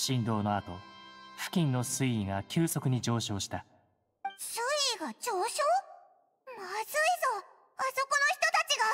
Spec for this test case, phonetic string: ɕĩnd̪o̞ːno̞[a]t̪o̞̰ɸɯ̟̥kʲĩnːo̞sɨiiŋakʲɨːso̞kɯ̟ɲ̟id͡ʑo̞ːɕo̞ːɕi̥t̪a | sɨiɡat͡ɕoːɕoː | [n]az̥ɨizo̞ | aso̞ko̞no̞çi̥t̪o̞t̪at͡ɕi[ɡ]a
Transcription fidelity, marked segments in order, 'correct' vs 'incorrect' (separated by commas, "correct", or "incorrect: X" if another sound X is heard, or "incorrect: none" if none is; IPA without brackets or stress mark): correct, incorrect: m, correct